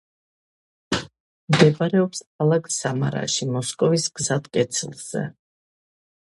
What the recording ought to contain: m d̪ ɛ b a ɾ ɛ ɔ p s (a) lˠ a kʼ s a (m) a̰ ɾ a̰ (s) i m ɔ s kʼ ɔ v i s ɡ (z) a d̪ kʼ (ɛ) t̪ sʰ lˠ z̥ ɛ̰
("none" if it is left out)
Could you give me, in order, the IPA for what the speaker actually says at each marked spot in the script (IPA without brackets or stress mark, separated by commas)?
a, m, ʃ, z, ɛ